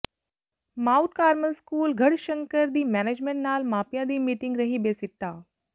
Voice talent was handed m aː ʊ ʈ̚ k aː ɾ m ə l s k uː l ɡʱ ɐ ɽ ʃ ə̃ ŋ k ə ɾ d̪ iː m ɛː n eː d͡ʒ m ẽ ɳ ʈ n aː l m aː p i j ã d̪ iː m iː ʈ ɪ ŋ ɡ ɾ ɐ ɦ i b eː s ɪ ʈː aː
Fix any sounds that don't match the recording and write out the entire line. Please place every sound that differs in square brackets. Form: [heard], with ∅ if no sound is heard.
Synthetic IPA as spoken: m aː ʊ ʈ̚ k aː ɾ m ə l s k uː l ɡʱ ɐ ɽ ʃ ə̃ ŋ k ə ɾ d̪ iː m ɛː n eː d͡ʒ m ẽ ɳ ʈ n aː l m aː p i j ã d̪ iː m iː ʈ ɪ ŋ ɡ ɾ ɐ ɦ i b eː s ɪ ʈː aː